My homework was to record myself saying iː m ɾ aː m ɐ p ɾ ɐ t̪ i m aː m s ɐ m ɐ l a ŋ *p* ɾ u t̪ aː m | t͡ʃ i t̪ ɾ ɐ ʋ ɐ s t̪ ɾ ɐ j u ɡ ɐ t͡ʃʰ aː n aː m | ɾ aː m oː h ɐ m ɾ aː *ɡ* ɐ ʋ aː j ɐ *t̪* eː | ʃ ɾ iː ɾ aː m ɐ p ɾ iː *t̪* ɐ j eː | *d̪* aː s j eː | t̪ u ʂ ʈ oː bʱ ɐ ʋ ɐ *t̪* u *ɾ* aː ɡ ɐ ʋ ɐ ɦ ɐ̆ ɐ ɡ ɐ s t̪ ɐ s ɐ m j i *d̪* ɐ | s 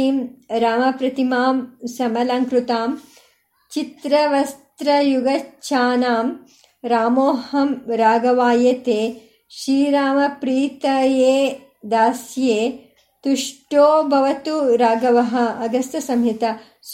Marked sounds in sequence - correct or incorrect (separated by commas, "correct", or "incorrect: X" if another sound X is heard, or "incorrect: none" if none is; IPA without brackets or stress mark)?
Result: incorrect: k, correct, correct, correct, correct, correct, correct, incorrect: t̪